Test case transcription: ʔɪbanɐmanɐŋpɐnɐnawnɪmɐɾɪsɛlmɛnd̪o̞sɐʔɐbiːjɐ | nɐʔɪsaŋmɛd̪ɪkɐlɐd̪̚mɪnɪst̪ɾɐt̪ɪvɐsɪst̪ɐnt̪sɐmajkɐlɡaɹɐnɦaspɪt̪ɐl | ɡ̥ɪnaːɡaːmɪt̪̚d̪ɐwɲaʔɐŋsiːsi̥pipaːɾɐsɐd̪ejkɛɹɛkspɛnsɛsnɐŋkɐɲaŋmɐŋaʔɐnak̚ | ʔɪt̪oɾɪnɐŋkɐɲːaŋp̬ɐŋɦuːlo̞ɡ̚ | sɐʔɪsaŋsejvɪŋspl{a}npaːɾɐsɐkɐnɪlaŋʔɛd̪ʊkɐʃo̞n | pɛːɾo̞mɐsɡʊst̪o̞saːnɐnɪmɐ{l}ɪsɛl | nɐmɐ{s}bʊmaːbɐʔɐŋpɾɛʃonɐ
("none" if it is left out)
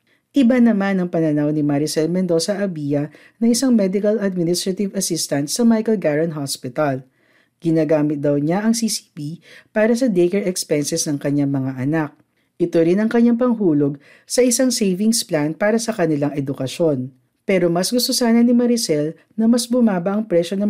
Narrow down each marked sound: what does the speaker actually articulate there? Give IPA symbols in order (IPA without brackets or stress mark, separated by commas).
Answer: a, ɾ, s